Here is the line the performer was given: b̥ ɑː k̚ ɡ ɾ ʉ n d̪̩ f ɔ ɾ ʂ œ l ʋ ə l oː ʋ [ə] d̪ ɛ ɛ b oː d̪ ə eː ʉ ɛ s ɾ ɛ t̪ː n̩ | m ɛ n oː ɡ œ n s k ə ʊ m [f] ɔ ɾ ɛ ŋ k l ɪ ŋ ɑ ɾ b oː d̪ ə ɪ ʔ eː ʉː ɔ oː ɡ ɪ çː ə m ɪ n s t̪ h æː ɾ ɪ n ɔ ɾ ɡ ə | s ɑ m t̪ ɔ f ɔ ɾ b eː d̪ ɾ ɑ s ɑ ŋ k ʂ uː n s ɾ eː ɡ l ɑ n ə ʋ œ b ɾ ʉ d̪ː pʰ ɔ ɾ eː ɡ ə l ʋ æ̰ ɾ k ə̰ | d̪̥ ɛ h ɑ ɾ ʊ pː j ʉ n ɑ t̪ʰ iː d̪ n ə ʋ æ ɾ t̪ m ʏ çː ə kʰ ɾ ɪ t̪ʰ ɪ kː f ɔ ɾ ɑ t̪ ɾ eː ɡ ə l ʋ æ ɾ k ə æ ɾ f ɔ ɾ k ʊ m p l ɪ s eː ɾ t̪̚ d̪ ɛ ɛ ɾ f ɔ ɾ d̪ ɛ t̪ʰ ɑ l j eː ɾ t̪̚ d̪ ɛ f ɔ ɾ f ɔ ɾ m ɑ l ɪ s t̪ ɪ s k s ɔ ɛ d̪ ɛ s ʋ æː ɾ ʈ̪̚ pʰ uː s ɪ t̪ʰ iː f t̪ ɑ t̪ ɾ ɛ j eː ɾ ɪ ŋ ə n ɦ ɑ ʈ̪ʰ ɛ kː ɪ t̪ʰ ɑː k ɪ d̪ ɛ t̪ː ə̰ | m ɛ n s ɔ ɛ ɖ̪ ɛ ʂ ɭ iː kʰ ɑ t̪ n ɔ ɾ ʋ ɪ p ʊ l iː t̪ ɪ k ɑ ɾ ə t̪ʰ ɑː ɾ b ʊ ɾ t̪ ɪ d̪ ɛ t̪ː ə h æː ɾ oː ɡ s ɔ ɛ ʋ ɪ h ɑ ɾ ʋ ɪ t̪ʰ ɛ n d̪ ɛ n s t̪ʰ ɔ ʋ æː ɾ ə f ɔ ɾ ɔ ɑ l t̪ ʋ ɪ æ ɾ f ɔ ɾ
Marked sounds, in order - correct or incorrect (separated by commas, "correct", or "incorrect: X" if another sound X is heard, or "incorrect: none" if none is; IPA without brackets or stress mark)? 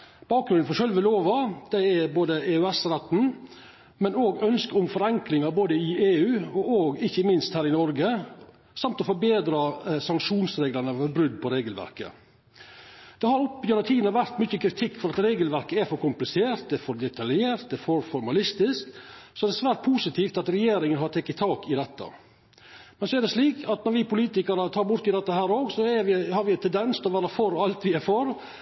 incorrect: ɑ, correct